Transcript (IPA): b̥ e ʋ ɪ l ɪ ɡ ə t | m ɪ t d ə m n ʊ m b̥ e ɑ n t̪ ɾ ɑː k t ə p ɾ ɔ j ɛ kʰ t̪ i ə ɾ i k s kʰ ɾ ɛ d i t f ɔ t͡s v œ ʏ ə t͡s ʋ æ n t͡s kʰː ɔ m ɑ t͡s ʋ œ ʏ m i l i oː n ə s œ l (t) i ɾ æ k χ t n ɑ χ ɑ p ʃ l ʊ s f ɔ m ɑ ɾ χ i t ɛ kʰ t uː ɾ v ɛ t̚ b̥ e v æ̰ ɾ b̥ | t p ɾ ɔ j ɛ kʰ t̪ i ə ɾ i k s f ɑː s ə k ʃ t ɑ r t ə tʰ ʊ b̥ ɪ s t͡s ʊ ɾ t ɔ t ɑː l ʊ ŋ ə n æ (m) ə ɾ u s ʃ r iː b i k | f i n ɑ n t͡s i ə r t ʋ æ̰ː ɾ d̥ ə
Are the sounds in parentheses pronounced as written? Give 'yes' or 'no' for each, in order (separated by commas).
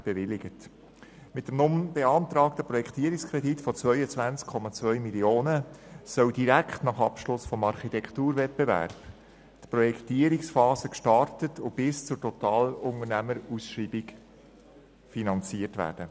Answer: no, yes